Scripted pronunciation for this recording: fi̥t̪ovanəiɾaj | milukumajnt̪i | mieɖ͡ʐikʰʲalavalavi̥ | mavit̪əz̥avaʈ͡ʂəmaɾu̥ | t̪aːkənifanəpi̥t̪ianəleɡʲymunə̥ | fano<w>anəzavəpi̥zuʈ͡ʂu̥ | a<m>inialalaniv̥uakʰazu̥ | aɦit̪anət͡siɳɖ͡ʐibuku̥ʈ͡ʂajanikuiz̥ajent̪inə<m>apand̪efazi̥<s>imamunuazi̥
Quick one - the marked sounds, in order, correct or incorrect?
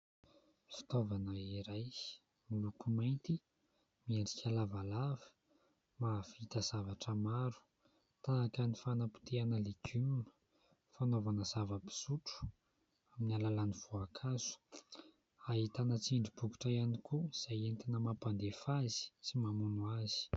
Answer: incorrect: v, correct, correct, incorrect: t͡s

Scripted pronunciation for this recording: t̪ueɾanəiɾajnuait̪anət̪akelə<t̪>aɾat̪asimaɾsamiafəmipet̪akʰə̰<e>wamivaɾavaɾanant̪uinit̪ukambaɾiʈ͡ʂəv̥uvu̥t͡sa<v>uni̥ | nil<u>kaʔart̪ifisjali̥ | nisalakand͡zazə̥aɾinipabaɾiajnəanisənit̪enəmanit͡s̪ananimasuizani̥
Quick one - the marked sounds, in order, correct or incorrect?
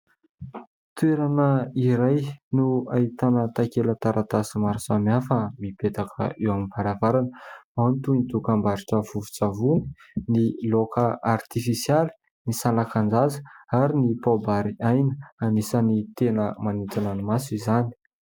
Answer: correct, correct, correct, incorrect: o

